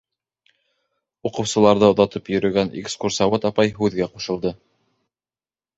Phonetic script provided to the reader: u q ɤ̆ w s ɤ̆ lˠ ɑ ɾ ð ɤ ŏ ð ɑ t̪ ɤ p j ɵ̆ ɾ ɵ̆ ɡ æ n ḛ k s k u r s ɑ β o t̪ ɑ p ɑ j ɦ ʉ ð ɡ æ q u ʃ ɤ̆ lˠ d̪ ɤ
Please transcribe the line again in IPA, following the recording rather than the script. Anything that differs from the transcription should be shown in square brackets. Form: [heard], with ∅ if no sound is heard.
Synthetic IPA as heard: u q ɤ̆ w s ɤ̆ lˠ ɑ ɾ ð ɤ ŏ ð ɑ t̪ ɤ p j ɵ̆ ɾ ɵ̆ ɡ æ n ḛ k s k u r s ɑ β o t̪ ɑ p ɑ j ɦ ʉ ð ɡ æ q u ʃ ɤ̆ lˠ d̪ ɤ